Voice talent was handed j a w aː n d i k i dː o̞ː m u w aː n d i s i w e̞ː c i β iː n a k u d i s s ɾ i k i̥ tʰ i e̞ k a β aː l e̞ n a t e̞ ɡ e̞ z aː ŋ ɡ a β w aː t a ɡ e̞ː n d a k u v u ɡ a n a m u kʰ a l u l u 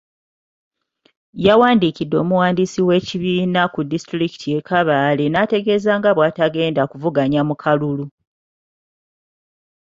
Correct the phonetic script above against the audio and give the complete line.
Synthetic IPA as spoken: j a w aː n d i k i dː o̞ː m u w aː n d i s i w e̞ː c i β iː n a k u d i s t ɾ i k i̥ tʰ i e̞ k a β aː l e̞ n a t e̞ ɡ e̞ z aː ŋ ɡ a β w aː t a ɡ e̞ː n d a k u v u ɡ a ɲ a m u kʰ a l u l u

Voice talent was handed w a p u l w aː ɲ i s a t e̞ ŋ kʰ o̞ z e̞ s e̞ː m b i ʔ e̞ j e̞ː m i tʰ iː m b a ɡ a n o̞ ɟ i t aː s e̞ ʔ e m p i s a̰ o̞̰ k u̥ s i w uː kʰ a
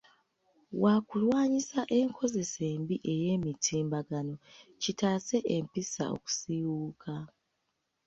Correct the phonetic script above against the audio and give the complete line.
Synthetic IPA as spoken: w a k u l w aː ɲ i s a ʔ e̞ ŋ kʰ o̞ z e̞ s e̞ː m b i ʔ e̞ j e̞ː m i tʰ iː m b a ɡ a n o̞ c i t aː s e̞ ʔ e m p i s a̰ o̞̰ k u̥ s i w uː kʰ a

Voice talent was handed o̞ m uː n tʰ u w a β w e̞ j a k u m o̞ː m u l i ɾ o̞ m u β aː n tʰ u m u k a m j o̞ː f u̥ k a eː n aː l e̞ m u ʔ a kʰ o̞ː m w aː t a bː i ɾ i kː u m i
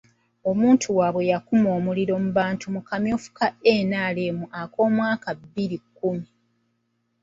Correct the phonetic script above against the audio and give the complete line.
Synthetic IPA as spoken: o̞ m uː n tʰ u w a β w e̞ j a k u m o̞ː m u l i ɾ o̞ m u β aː n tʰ u m u k a m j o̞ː f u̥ k a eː n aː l e̞ m u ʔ a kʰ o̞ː m w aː k a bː i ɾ i kː u m i

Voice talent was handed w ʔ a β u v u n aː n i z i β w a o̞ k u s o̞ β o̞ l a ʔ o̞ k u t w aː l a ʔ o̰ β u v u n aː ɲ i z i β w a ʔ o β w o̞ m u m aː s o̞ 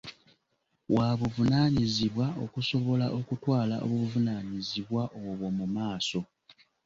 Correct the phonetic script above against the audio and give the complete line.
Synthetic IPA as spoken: w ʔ a β u v u n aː ɲ i z i β w a o̞ k u s o̞ β o̞ l a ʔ o̞ k u t w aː l a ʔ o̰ β u v u n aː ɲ i z i β w a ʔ o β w o̞ m u m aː s o̞

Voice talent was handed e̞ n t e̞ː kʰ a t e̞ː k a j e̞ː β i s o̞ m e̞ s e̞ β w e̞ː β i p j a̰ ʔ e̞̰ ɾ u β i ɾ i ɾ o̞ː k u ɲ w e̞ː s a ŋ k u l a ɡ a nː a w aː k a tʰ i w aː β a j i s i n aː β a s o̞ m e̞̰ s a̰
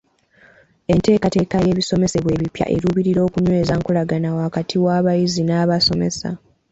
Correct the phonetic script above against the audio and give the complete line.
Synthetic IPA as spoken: e̞ n t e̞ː k a t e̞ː k a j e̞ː β i s o̞ m e̞ s e̞ β w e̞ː β i p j a̰ ʔ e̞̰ ɾ u β i ɾ i ɾ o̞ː k u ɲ w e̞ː z a ŋ k u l a ɡ a n a w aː k a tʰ i w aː β a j i z i n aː β a s o̞ m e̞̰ s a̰

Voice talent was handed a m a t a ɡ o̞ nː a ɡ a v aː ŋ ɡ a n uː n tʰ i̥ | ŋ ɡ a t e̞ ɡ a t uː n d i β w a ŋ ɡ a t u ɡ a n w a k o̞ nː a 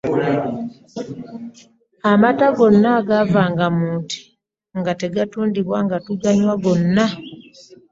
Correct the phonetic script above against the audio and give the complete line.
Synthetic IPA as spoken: a m a t a ɡ o̞ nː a ɡ a v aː ŋ ɡ a m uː n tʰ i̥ | ŋ ɡ a t e̞ ɡ a t uː n d i β w a ŋ ɡ a t u ɡ a ɲ w a ɡ o̞ nː a

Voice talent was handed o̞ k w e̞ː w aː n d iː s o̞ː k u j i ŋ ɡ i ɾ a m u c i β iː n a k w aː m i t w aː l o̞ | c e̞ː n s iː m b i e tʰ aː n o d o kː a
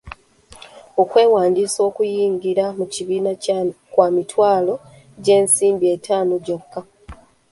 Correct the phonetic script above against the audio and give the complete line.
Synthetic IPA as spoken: o̞ k w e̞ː w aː n d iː s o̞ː k u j iː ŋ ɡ i ɾ a m u c i β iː n a k w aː m i t w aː l o̞ | ɟ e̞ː n s iː m b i e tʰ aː n o ɟ o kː a

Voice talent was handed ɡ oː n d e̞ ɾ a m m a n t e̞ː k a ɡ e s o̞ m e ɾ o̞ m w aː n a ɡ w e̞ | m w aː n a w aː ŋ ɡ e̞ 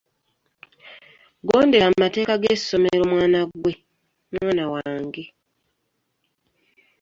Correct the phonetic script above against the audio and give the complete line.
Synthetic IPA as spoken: ɡ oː n d e̞ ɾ a m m a t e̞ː k a ɡ e s o̞ m e ɾ o̞ m w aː n a ɡ w e̞ | m w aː n a w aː ŋ ɡ e̞

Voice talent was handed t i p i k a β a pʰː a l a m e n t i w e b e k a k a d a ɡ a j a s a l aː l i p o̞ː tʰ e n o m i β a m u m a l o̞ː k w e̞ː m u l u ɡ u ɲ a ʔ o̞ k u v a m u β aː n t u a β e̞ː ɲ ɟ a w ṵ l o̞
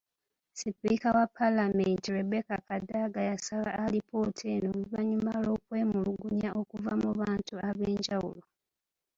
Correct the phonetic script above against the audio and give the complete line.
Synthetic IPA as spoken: s i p i k a w a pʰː a l a m e n t i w e b e k a k a d a ɡ a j a s a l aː l i p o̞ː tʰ e n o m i β a ɲ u m a l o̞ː k w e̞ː m u l u ɡ u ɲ a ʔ o̞ k u v a m u β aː n t u a β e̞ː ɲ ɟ a w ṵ l o̞

